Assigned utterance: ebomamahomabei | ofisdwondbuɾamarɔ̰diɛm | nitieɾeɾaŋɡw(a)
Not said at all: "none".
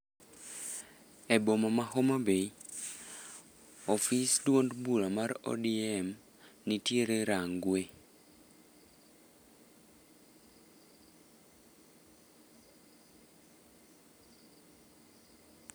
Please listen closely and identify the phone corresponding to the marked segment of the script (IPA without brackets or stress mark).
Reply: e